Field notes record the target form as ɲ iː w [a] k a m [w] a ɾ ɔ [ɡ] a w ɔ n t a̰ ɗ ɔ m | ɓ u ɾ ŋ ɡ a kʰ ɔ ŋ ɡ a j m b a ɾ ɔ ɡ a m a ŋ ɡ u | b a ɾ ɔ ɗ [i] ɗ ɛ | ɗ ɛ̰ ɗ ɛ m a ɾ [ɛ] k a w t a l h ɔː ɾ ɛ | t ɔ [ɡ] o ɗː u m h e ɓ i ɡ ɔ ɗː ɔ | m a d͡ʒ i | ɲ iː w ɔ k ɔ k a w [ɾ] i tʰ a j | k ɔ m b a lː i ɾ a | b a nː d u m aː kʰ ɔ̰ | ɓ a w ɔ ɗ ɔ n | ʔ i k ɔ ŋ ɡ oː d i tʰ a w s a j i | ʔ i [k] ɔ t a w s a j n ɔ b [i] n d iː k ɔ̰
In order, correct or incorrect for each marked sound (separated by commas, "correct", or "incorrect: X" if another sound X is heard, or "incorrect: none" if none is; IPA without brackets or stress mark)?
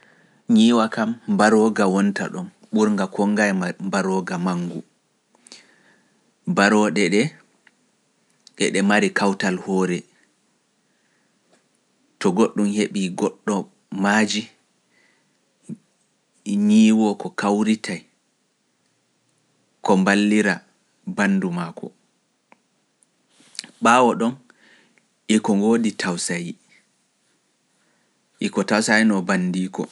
correct, incorrect: b, correct, incorrect: ɛ, incorrect: i, correct, correct, correct, incorrect: a